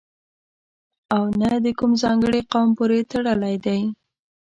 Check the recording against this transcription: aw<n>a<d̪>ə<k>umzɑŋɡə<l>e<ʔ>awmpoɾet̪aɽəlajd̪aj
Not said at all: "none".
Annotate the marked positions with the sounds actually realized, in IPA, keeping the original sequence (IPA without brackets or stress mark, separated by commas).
n, d̪, k, ɽ, q